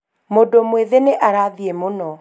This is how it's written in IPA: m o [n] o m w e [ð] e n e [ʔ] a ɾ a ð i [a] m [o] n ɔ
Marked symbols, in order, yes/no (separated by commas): no, yes, yes, no, yes